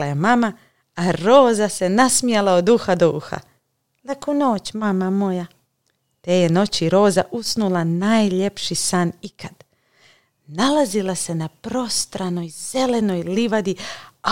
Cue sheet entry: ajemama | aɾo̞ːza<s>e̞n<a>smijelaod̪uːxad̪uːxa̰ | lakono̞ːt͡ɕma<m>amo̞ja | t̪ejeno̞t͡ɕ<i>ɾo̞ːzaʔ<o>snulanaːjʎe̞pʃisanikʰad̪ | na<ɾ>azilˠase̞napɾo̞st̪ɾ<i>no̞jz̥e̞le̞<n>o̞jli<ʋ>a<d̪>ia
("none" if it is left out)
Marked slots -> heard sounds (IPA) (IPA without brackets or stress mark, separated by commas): s, a, m, i, u, l, a, n, ʋ, d̪